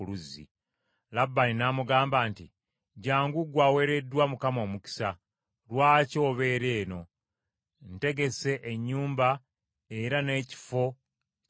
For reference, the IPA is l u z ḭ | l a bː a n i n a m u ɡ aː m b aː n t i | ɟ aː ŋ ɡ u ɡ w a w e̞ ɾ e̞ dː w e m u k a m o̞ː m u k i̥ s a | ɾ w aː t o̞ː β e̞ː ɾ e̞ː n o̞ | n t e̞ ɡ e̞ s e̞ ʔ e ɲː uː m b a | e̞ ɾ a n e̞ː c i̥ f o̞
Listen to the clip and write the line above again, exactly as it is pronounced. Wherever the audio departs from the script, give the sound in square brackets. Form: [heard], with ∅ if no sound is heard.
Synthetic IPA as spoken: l u z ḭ | l a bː a n i n a m u ɡ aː m b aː n t i | ɟ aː ŋ ɡ u ɡ w a w e̞ ɾ e̞ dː w [a] m u k a m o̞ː m u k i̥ s a | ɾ w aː [c] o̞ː β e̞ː ɾ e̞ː n o̞ | n t e̞ ɡ e̞ s e̞ ʔ e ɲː uː m b a | e̞ ɾ a n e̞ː c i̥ f o̞